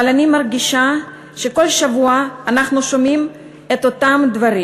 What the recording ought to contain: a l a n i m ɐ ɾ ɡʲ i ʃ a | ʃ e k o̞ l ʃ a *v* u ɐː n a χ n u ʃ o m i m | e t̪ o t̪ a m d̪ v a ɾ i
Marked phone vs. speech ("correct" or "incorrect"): correct